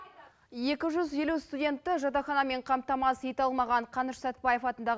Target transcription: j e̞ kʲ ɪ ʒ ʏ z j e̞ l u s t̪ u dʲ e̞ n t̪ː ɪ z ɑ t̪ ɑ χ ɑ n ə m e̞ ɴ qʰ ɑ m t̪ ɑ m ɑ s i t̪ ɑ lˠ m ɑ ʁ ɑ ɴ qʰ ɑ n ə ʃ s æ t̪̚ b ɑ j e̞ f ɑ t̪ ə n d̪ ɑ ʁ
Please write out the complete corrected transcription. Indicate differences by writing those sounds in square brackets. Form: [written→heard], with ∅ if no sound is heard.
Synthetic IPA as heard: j e̞ kʲ ɪ ʒ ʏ z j e̞ l u s t̪ u dʲ e̞ n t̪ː ɪ [z→ʒ] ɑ t̪ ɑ χ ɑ n [ə→ɑ] m e̞ ɴ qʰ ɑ m t̪ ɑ m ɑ s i t̪ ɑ lˠ m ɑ ʁ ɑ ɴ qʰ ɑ n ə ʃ s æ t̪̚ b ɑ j e̞ f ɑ t̪ ə n d̪ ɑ ʁ